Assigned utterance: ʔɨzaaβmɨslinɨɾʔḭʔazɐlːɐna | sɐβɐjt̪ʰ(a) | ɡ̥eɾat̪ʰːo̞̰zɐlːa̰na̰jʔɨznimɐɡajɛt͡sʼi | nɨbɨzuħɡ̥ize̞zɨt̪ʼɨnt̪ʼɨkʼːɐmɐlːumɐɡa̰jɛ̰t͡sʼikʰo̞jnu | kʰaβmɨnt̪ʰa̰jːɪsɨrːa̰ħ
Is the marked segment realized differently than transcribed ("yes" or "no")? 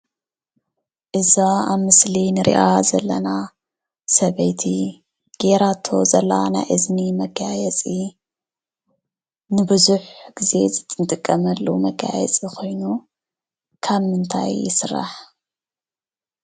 yes